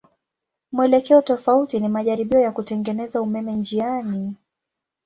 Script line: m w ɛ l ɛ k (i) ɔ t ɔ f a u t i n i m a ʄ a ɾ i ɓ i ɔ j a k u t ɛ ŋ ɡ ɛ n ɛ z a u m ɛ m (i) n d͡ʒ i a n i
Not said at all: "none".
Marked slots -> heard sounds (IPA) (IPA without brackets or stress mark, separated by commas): ɛ, ɛ